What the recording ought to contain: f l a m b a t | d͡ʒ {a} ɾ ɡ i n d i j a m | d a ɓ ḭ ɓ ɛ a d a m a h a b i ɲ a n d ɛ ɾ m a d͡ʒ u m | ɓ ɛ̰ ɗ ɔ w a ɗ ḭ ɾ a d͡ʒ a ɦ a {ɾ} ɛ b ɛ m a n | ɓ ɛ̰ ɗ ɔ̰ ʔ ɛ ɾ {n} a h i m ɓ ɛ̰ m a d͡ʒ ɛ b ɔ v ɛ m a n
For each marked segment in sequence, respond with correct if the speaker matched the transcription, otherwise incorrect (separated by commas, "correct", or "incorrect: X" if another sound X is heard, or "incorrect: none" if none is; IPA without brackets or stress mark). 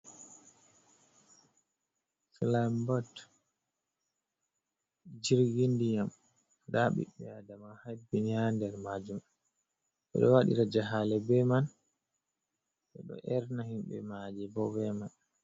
incorrect: i, incorrect: l, correct